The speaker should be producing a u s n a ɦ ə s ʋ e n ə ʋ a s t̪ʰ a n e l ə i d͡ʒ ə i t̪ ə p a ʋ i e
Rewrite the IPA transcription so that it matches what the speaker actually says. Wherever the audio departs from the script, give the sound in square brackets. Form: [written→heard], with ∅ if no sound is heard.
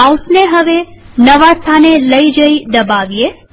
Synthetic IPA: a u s n [a→e] ɦ ə [s→∅] ʋ e n ə ʋ a s t̪ʰ a n e l ə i d͡ʒ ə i [t̪→d̪] ə [p→b] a ʋ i e